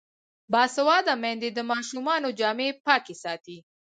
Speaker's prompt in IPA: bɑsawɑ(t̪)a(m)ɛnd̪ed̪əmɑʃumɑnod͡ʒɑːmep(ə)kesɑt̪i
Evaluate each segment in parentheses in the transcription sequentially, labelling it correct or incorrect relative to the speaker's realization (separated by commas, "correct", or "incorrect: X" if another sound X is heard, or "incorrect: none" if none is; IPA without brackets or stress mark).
incorrect: d̪, correct, incorrect: ɑ